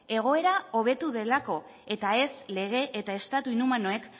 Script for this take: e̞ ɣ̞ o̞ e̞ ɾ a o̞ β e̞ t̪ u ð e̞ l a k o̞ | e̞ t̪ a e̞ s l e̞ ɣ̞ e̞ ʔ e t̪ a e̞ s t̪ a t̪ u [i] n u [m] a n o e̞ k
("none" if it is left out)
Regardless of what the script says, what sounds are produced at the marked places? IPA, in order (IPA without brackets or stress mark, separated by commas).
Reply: i, m